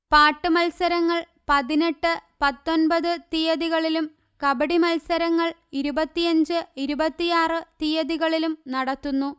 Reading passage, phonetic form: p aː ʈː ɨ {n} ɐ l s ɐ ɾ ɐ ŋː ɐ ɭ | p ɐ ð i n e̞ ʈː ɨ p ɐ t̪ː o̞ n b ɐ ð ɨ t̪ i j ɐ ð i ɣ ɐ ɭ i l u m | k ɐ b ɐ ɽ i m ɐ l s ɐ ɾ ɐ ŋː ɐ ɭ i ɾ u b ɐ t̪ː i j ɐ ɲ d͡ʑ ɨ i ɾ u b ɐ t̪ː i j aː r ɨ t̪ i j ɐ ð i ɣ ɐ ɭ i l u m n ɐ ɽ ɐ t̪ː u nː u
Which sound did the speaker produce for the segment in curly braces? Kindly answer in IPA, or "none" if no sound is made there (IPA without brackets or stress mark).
m